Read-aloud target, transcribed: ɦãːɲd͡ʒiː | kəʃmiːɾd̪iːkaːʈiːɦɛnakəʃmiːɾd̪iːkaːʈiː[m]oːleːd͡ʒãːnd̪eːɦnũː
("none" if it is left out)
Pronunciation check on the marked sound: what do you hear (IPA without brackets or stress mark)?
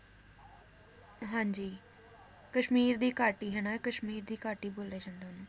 b